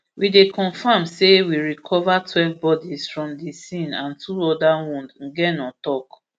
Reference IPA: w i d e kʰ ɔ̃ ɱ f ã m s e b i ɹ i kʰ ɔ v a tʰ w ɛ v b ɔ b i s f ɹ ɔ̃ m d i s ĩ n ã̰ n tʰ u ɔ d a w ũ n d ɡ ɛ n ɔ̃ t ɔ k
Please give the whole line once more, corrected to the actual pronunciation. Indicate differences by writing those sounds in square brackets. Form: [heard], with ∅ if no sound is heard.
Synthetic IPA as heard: w i d e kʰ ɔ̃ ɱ f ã m s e [w] i ɹ i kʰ ɔ v a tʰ w ɛ v b ɔ [d] i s f ɹ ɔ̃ m d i s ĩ n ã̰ n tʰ u ɔ d a w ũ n d ɡ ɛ n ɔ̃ t ɔ k